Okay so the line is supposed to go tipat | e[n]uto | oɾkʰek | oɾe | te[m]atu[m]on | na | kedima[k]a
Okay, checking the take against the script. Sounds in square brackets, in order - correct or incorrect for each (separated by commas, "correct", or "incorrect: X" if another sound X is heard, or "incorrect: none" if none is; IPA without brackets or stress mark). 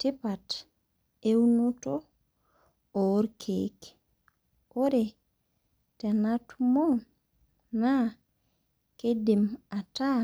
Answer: correct, incorrect: n, correct, incorrect: t